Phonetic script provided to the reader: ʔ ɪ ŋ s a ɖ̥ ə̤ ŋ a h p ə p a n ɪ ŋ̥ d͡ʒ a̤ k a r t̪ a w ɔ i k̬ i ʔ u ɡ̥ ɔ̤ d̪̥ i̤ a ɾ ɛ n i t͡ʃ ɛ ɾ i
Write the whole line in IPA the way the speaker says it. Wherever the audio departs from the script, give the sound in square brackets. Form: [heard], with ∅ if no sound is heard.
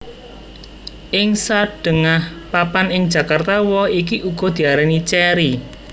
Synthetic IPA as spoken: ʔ ɪ ŋ s a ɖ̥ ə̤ ŋ a h p [a] p a n ɪ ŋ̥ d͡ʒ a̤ k a r t̪ a w ɔ i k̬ i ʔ u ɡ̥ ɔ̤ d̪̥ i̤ a ɾ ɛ n i t͡ʃ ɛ ɾ i